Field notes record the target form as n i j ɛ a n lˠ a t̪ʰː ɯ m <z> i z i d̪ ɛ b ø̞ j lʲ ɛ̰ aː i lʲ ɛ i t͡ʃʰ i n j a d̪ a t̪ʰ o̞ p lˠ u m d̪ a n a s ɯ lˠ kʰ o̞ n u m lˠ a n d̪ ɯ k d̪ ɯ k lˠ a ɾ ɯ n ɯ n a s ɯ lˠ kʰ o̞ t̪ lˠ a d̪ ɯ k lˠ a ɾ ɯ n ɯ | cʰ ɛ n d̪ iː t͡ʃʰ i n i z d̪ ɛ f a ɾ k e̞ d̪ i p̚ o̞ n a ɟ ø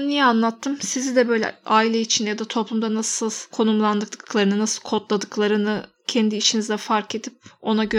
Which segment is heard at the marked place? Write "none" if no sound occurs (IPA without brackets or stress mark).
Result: s